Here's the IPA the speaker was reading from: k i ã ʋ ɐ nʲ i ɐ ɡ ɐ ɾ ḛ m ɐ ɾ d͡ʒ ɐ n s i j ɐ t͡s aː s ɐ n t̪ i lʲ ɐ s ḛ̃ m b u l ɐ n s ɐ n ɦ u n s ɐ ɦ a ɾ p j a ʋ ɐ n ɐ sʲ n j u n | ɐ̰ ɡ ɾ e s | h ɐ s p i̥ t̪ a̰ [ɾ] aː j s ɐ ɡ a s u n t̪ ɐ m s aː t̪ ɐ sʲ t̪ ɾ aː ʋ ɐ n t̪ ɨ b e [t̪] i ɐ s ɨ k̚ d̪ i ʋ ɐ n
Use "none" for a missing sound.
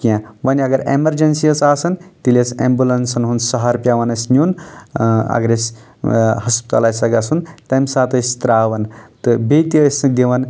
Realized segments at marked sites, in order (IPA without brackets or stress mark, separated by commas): l, t̪